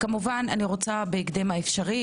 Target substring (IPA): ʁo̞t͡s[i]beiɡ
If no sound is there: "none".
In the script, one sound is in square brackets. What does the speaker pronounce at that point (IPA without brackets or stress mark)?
a